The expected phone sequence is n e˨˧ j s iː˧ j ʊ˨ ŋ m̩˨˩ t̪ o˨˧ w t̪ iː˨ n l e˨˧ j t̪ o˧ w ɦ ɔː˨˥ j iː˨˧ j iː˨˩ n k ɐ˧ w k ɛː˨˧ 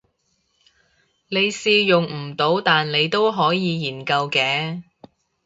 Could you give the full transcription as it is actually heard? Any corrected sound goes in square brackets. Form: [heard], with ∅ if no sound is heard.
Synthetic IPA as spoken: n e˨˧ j s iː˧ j ʊ˨ ŋ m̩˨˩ t̪ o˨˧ w t̪ [aː˨] n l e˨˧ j t̪ [o˥] w ɦ ɔː˨˥ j iː˨˧ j iː˨˩ n k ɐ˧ w k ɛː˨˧